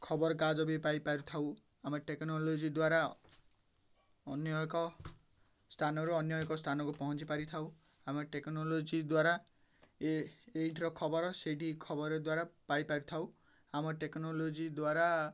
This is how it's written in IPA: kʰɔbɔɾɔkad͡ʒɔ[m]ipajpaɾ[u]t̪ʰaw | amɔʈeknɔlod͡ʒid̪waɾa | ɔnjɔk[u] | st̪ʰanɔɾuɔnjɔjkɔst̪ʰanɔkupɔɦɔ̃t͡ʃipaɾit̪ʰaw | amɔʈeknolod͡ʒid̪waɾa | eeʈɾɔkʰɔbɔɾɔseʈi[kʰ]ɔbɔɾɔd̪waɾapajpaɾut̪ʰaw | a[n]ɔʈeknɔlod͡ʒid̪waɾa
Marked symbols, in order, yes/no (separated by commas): no, yes, no, yes, no